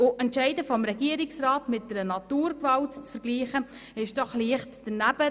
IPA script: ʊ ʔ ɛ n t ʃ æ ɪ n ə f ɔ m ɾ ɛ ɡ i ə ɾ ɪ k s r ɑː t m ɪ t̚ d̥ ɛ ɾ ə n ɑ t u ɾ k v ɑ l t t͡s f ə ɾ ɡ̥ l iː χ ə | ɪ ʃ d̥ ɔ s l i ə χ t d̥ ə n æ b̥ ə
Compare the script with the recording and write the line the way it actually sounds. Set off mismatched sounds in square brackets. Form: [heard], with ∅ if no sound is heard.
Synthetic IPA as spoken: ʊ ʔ ɛ n t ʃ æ ɪ [d] ə f ɔ m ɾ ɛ ɡ i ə ɾ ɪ k s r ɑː t m ɪ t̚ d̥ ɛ ɾ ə n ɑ t [uː] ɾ k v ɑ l t t͡s f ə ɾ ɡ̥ l iː χ ə | ɪ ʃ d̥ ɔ [χ] l i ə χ t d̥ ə n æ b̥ ə